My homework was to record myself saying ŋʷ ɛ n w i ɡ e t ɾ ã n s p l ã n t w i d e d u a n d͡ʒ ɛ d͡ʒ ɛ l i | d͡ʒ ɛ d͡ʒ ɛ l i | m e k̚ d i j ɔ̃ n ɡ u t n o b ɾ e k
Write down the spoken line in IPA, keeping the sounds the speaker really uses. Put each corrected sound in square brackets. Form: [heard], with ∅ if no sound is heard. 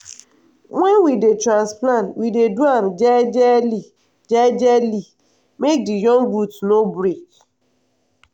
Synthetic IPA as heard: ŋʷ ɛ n w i [d] e t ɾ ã n s p l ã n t w i d e d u a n d͡ʒ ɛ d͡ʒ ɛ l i | d͡ʒ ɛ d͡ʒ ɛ l i | m e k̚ d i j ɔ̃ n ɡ u t n o b ɾ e k